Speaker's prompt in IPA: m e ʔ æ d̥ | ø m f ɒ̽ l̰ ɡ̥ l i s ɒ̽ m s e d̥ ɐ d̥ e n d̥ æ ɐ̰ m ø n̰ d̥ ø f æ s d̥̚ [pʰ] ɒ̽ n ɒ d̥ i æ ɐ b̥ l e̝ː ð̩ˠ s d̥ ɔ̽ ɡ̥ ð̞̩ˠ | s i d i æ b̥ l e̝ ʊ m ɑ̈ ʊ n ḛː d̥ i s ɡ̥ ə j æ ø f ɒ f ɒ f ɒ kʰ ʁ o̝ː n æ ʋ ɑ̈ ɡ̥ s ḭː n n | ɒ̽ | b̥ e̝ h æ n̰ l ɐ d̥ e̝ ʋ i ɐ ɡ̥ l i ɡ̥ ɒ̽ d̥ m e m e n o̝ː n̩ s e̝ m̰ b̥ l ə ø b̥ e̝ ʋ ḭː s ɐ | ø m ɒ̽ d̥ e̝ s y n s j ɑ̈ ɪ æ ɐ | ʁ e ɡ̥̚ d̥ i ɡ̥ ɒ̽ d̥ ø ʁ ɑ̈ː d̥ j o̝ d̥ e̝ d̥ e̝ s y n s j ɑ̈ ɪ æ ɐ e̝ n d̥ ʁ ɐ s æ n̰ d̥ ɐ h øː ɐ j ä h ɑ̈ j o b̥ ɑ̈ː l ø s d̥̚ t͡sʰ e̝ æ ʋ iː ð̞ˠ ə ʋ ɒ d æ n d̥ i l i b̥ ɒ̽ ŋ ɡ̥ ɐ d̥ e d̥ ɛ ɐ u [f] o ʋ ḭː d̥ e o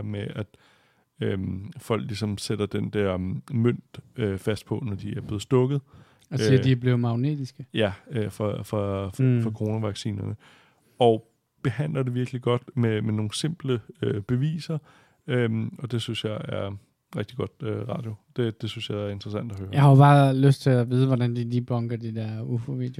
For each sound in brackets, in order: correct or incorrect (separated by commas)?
correct, correct